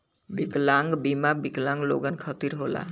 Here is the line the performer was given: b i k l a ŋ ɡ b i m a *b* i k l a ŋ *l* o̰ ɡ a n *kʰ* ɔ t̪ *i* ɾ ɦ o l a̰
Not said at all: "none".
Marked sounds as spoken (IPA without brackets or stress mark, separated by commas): b, l, kʰ, i